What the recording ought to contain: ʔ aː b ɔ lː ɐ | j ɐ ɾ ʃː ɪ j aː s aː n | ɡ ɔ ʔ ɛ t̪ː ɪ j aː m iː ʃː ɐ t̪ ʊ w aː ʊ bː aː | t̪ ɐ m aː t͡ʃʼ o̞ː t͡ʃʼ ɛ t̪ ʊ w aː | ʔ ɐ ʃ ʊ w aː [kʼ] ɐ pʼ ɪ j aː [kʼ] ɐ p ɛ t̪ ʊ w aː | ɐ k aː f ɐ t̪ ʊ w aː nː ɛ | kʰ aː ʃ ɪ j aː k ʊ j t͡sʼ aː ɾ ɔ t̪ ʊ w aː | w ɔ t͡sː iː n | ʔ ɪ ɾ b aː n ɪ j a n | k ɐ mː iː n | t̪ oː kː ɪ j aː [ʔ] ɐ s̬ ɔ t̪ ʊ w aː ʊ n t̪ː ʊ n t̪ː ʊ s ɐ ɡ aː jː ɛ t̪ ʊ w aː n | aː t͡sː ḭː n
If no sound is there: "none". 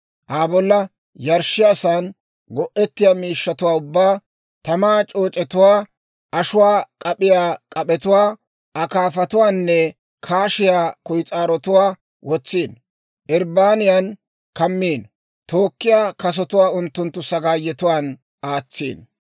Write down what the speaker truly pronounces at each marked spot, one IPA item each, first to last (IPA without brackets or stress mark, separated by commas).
kʼ, kʼ, k